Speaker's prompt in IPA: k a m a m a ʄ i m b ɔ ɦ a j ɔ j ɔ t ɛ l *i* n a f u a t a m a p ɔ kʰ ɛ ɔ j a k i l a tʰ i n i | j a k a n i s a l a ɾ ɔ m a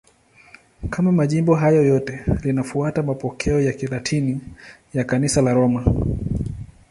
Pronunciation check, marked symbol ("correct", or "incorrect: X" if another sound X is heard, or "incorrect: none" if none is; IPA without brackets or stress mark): correct